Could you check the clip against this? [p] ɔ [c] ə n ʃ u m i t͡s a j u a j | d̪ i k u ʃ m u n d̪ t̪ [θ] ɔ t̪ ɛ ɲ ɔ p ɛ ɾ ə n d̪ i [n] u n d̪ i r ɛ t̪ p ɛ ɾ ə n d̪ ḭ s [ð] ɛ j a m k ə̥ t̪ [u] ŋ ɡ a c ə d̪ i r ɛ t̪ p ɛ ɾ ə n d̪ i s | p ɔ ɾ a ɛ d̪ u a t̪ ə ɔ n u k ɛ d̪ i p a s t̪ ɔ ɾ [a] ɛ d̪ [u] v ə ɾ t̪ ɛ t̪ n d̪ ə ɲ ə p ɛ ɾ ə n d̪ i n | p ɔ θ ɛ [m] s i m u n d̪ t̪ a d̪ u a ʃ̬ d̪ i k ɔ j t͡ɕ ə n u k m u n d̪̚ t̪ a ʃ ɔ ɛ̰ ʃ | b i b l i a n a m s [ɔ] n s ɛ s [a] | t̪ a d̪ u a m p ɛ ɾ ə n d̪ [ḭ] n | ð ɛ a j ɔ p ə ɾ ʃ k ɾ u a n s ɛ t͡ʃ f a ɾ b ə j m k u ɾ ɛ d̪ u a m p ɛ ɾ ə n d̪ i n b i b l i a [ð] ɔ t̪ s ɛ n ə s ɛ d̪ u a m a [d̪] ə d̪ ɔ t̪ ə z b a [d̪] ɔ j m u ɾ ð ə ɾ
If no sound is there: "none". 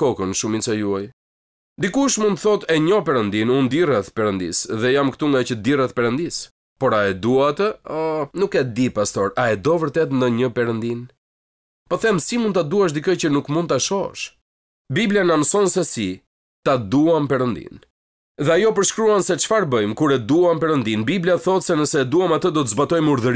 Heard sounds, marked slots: k, k, θ, n, ð, u, a, ɔ, m, ɔ, i, ḭ, θ, t̪, t̪

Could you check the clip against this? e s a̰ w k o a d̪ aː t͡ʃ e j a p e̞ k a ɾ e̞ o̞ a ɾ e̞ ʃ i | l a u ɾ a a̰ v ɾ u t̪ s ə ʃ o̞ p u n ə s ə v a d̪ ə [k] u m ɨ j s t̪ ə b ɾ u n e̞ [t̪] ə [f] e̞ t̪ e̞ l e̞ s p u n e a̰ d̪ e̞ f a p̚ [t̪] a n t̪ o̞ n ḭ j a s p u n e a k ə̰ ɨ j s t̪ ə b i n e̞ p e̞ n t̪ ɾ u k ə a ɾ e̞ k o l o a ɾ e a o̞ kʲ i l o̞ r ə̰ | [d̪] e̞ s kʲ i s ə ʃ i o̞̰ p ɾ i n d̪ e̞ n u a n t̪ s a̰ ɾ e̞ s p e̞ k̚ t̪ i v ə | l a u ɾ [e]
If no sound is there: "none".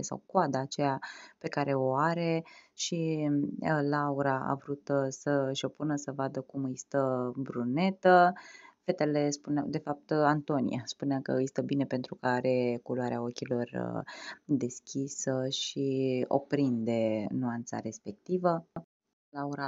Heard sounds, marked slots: k, t̪, f, t̪, d̪, a

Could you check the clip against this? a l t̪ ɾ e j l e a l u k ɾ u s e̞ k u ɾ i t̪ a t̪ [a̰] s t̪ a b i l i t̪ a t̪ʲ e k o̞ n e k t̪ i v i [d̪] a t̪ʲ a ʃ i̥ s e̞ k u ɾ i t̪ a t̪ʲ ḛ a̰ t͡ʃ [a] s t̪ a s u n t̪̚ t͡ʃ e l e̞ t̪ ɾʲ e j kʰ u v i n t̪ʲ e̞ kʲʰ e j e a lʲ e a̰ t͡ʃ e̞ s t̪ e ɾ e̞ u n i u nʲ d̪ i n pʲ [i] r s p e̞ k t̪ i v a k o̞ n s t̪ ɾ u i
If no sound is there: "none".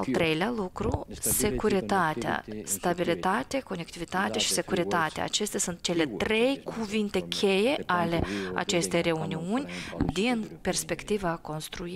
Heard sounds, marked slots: a̰, t̪, e, e

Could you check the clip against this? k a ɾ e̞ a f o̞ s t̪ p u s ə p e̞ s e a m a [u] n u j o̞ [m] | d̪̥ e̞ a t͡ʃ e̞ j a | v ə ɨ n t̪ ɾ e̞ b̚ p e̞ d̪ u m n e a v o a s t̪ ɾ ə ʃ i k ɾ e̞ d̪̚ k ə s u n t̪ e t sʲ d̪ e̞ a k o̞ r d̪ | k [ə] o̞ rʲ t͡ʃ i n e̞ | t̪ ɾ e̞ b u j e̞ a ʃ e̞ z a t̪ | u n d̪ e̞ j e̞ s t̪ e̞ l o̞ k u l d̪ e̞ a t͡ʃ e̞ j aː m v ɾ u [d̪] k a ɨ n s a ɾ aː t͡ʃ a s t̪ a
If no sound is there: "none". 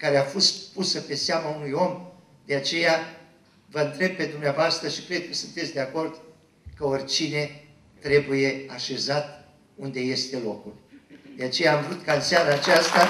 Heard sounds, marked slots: u, m, ə, t̪

